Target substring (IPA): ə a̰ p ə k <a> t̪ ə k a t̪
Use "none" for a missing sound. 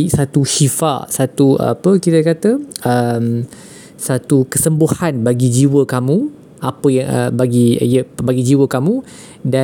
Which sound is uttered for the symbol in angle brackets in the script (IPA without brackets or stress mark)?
i